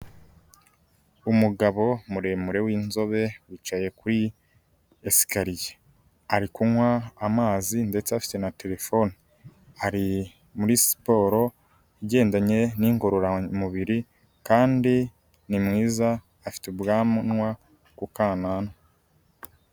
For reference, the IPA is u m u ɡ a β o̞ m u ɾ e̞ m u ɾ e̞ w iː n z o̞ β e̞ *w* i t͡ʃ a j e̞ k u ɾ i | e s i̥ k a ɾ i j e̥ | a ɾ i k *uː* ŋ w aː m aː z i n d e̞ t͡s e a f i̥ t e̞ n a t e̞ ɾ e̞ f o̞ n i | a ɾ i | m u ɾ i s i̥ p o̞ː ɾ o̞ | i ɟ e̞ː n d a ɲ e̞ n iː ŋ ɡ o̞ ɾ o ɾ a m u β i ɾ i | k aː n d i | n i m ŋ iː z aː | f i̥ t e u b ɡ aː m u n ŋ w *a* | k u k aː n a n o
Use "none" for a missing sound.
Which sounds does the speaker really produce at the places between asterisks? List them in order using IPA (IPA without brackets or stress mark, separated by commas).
w, u, a